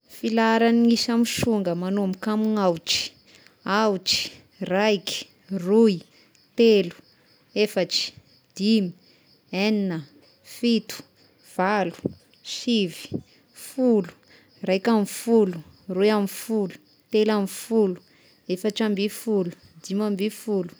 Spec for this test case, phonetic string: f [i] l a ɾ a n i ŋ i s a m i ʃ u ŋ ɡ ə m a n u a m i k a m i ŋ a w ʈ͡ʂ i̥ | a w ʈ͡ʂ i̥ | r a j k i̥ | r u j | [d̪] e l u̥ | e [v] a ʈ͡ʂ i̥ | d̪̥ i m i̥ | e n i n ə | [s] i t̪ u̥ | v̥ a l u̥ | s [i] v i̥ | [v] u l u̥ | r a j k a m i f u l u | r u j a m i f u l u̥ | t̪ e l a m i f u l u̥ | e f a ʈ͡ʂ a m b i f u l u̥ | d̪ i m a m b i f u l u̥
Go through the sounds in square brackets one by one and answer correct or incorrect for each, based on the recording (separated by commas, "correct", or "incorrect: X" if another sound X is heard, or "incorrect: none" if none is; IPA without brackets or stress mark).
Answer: correct, incorrect: t̪, incorrect: f, incorrect: f, correct, incorrect: f